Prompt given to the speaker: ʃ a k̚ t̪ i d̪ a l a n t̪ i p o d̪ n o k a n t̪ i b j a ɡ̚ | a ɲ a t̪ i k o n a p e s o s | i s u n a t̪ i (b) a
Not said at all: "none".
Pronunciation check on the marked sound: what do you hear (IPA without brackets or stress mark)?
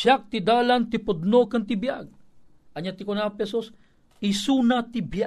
b